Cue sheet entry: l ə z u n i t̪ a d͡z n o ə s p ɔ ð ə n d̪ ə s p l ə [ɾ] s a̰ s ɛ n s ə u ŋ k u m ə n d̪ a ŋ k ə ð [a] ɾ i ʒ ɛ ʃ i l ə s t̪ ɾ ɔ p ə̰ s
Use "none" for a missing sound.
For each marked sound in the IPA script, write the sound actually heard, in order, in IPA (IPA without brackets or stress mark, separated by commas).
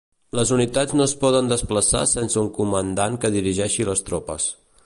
none, i